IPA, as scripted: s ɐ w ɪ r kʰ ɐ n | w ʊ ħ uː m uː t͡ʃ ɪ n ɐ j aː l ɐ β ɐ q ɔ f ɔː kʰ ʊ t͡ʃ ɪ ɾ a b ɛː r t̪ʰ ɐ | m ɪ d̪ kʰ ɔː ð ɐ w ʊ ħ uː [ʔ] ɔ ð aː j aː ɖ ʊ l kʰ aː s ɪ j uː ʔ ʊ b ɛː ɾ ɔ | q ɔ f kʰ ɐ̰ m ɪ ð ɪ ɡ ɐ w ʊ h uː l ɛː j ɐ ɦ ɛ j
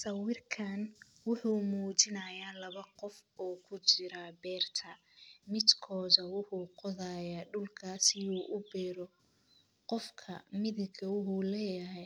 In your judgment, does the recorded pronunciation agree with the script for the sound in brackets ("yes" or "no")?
no